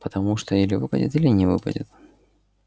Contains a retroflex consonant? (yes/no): yes